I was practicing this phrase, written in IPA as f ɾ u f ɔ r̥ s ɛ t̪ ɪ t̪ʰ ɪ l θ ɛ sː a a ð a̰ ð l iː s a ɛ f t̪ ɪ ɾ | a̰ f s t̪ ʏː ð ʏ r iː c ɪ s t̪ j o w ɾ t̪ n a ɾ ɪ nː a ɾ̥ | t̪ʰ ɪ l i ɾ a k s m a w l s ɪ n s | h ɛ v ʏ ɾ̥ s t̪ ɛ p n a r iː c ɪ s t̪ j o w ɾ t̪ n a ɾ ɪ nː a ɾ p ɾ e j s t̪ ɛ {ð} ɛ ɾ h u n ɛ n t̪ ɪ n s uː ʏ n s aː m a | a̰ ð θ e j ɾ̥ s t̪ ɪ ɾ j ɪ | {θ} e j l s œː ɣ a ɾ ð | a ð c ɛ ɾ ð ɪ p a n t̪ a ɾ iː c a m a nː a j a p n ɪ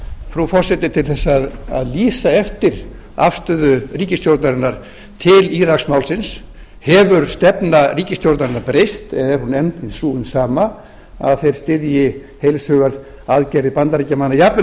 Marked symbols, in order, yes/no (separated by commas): yes, no